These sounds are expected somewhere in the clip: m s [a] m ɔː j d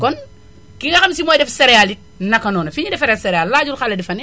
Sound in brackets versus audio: incorrect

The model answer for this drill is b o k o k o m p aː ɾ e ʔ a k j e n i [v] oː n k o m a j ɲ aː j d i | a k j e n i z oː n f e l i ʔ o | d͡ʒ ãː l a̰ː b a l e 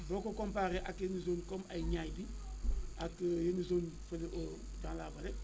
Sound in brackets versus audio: incorrect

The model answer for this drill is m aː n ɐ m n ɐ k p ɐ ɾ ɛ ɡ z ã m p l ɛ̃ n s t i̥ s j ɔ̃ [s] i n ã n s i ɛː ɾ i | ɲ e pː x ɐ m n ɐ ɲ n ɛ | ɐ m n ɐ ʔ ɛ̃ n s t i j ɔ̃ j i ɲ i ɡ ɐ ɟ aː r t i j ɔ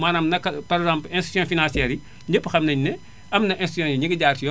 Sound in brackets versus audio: incorrect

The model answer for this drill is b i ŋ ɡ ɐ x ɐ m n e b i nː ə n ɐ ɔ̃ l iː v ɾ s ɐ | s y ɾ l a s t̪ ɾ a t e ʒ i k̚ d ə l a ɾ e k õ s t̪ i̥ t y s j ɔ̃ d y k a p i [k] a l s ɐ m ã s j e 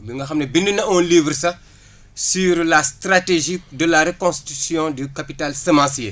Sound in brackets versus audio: incorrect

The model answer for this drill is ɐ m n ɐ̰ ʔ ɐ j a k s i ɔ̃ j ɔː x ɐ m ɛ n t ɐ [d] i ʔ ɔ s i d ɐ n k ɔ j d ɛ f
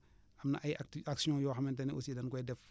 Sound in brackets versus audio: incorrect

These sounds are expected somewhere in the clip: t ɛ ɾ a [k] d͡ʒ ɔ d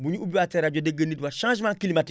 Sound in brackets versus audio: incorrect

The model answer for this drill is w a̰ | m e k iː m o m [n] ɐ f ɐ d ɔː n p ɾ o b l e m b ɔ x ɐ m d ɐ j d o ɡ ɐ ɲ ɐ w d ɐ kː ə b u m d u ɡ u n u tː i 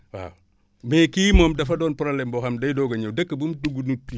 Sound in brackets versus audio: incorrect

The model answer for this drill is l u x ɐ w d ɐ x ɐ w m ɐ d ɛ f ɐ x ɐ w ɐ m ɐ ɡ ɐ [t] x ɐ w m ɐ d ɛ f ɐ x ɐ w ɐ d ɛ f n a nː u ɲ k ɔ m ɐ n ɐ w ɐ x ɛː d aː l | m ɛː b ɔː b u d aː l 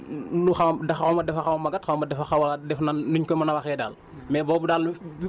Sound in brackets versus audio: correct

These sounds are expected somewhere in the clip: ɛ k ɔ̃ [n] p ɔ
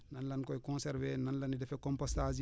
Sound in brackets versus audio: incorrect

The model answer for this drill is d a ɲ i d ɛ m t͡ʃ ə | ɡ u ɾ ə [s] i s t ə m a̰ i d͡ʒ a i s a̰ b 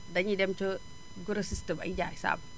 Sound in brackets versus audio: correct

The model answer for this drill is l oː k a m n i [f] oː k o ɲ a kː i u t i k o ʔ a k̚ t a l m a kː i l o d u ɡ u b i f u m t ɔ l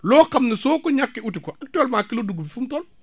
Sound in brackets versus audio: incorrect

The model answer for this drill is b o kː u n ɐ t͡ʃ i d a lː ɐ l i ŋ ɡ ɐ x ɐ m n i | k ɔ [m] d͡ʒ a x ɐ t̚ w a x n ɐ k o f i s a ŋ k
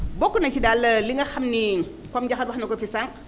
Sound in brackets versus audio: correct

